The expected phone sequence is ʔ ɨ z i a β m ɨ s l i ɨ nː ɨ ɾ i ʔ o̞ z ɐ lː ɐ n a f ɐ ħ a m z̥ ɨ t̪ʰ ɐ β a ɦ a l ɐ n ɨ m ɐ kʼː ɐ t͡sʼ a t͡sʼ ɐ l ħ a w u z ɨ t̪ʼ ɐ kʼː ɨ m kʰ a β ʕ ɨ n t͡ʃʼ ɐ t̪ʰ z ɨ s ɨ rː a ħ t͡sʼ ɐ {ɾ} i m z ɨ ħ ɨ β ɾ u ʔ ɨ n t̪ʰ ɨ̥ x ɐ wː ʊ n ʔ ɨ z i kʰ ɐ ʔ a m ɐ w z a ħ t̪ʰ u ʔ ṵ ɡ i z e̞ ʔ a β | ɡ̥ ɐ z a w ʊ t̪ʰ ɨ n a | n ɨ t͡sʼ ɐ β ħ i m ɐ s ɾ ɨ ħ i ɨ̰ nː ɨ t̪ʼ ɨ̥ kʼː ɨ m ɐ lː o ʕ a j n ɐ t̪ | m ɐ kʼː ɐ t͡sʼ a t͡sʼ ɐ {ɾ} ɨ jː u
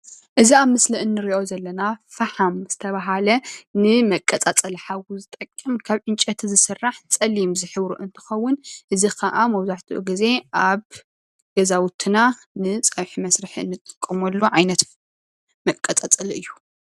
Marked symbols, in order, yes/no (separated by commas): no, no